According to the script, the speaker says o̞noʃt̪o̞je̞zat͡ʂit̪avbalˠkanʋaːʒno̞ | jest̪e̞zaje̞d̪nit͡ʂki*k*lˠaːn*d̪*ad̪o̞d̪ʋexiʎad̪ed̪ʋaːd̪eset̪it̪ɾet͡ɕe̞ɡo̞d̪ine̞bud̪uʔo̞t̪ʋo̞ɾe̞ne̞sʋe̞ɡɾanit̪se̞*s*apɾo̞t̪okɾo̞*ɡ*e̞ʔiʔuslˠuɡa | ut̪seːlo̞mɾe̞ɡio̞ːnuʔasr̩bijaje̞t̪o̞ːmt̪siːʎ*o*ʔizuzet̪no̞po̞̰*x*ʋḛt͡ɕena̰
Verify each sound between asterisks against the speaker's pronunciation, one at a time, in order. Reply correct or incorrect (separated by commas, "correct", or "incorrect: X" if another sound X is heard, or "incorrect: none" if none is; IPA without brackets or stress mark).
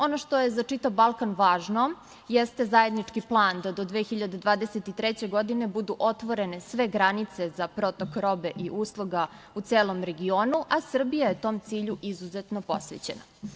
incorrect: p, correct, incorrect: z, incorrect: b, incorrect: u, incorrect: s